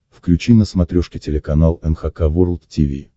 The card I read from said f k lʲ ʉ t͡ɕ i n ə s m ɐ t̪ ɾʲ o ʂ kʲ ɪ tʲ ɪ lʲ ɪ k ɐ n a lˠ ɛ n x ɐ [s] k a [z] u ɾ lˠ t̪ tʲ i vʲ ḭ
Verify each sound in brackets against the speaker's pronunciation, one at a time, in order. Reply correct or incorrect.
incorrect, incorrect

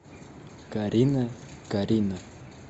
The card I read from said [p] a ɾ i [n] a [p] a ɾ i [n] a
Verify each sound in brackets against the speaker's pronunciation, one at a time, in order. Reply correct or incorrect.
incorrect, correct, incorrect, correct

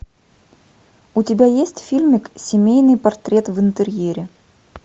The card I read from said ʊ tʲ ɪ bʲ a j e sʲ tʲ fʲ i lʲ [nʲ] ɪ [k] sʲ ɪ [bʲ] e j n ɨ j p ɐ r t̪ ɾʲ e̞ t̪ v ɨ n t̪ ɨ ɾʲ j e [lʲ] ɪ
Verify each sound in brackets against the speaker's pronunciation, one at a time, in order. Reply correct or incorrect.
incorrect, correct, incorrect, incorrect

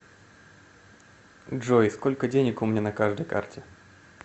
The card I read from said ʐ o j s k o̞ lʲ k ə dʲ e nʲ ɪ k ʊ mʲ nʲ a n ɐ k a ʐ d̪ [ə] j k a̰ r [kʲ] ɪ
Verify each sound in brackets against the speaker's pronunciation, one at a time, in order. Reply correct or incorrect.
correct, incorrect

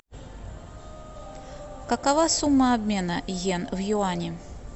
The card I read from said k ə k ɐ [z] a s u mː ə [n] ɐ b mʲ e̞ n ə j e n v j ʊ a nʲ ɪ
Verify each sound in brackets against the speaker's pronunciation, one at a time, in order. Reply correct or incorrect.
incorrect, incorrect

